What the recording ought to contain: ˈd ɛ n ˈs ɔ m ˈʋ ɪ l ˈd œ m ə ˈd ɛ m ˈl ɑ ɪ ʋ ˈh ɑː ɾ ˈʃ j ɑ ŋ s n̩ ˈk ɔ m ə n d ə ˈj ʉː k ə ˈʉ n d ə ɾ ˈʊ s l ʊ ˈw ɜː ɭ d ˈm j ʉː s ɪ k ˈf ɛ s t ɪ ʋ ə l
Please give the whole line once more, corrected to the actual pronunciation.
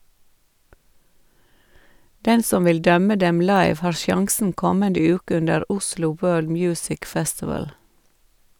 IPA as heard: ˈd ɛ n ˈs ɔ m ˈʋ ɪ l ˈd œ m ə ˈd ɛ m ˈl ɑ ɪ ʋ ˈh ɑː ɾ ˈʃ j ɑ ŋ s n̩ ˈk ɔ m ə n d ə ˈj ʉː k ə ˈʉ n d ə ɾ ˈʊ s l ʊ ˈw ɜː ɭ d ˈm j ʉː s ɪ k ˈf ɛ s t ɪ ʋ ə l